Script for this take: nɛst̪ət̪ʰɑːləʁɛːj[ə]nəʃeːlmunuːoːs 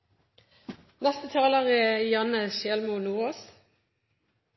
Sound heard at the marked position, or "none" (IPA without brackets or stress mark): ɑ